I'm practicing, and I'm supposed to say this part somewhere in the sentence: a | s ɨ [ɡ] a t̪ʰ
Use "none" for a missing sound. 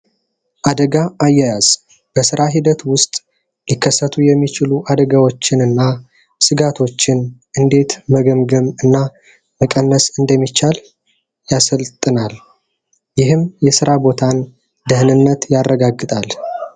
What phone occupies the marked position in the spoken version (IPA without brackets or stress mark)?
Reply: ɡ